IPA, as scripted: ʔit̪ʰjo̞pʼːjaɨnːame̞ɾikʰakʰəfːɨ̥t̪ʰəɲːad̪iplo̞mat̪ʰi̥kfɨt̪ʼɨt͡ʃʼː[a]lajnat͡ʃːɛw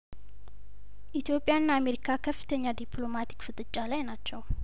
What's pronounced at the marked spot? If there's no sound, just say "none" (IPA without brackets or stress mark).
a